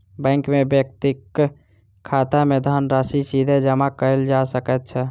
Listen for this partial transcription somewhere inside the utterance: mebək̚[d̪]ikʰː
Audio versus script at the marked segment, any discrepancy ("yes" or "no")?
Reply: yes